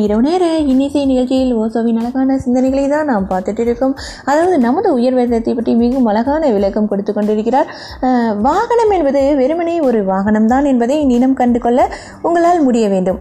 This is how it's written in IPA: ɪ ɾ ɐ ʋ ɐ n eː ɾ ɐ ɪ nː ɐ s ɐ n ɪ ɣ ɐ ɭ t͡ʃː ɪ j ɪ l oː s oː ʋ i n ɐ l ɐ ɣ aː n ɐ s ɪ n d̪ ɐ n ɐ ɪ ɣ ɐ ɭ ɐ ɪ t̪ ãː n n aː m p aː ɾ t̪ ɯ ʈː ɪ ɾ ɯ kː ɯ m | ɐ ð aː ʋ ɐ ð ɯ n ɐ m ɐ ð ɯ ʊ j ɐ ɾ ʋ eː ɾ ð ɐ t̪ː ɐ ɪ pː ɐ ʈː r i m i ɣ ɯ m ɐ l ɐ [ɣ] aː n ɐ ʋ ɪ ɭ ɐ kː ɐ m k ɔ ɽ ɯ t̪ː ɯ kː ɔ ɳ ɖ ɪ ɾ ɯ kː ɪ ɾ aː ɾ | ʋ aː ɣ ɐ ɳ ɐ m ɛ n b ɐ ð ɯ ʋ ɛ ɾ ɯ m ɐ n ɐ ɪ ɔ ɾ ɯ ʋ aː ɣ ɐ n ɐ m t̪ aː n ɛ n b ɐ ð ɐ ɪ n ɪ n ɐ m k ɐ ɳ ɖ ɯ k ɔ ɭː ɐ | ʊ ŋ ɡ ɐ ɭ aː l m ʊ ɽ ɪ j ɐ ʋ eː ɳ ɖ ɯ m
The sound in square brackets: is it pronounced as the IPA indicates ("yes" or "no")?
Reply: yes